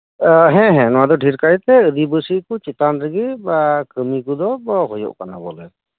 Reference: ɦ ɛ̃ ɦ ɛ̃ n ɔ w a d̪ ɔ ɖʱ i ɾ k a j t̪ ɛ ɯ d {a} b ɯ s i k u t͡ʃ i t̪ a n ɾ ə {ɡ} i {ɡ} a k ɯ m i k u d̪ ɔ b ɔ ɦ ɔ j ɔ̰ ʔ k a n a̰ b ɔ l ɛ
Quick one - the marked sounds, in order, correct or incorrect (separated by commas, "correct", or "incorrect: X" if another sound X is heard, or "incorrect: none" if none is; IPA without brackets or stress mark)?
incorrect: i, correct, incorrect: b